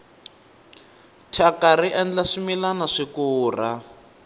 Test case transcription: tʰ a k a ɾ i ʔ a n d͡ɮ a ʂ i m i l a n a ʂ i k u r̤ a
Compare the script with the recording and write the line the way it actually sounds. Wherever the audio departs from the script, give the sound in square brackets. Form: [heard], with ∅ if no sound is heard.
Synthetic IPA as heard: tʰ a k a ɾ i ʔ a n d͡ɮ a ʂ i m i l a n a ʂ i k [uː] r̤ a